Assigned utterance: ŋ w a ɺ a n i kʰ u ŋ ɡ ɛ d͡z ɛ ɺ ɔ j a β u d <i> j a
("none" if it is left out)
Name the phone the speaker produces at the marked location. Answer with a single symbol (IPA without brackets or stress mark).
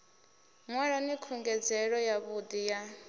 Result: i